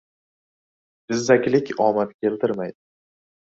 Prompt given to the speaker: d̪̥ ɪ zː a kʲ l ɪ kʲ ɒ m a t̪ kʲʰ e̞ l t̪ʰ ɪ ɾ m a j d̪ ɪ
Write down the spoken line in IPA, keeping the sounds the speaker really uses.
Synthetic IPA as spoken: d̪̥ ɪ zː a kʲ l ɪ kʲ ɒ m a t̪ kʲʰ e̞ l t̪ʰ ɪ ɾ m a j d̪ ɪ